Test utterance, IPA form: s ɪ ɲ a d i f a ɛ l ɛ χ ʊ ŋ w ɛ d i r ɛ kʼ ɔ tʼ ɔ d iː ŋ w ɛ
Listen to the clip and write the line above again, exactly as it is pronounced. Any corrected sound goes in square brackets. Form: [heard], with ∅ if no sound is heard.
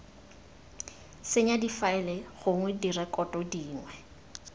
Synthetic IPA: s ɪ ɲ a d i f a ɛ l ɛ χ ʊ ŋ w ɛ d i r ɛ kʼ ɔ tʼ ɔ d iː ŋ w ɛ